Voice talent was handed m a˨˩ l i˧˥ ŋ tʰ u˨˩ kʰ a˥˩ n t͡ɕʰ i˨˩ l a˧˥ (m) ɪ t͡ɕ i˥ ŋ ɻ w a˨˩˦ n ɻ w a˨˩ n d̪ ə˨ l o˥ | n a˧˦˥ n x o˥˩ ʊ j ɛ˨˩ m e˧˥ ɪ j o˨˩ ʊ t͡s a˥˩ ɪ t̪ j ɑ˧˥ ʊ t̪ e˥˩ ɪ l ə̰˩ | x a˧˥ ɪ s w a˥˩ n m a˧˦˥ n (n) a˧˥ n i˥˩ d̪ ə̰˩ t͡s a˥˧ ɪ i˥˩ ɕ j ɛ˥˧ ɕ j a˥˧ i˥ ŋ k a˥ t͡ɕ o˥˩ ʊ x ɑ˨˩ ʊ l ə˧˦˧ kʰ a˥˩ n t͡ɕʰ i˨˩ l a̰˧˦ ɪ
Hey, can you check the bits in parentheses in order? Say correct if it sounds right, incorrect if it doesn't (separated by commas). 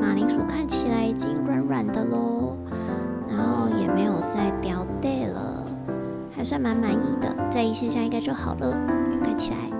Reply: incorrect, incorrect